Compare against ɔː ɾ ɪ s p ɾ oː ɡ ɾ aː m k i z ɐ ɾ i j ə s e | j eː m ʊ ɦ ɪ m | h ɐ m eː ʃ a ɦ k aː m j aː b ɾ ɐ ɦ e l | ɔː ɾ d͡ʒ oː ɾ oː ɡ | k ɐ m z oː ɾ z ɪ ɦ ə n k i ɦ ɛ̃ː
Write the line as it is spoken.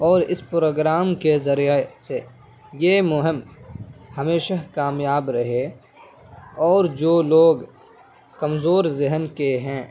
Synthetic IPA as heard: ɔː ɾ ɪ s p ɾ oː ɡ ɾ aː m k e z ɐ ɾ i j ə s e | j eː m ʊ ɦ ɪ m | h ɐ m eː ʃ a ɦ k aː m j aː b ɾ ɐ ɦ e | ɔː ɾ d͡ʒ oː l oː ɡ | k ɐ m z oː ɾ z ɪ ɦ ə n k e ɦ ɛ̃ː